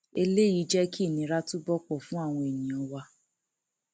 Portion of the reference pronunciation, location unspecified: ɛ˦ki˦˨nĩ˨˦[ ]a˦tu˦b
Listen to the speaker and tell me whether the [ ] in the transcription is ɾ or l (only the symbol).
ɾ